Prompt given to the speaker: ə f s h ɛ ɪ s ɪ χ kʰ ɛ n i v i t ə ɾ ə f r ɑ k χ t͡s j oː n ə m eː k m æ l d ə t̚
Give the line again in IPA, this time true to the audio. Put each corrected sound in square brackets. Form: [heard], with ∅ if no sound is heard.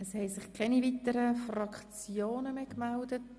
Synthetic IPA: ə [∅] s h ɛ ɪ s ɪ χ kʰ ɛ n i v i t ə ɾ ə f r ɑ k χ t͡s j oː n ə m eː k m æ l d ə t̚